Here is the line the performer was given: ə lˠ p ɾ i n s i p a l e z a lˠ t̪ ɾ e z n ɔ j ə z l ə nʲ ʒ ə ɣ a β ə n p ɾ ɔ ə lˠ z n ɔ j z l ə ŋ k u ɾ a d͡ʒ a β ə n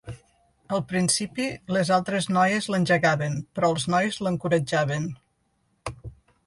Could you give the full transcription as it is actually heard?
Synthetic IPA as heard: ə lˠ p ɾ i n s i p i l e z a lˠ t̪ ɾ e z n ɔ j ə z l ə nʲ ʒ ə ɣ a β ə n p ɾ ɔ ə lˠ z n ɔ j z l ə ŋ k u ɾ ə d͡ʒ a β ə n